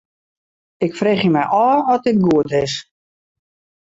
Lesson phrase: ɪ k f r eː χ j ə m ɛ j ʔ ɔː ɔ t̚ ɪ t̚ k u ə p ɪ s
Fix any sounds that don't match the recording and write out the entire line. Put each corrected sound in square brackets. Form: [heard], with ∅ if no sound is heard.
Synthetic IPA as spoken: ɪ k f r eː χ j ə m ɛ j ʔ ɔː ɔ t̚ ɪ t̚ [ɡ] u ə [t] ɪ s

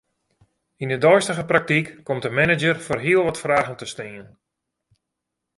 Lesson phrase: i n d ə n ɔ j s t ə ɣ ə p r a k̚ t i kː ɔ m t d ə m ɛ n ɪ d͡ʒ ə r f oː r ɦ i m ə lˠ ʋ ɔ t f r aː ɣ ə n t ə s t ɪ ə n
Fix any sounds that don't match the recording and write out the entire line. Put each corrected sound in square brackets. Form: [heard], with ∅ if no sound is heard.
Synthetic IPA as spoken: i n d ə [d] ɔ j s t ə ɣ ə p r a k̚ t i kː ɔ m t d ə m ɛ n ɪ d͡ʒ ə r f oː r ɦ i [∅] ə lˠ ʋ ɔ t f r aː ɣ ə n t ə s t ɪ ə n

